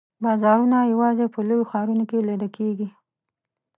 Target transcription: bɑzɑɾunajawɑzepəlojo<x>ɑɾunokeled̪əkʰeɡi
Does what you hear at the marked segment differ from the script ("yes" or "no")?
no